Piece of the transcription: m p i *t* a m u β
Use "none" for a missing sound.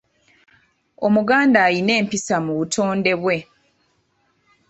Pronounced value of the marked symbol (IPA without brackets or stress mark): s